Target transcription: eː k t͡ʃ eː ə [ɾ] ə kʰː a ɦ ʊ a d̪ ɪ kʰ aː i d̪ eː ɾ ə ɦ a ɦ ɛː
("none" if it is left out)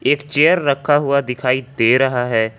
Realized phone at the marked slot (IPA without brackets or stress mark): ɾː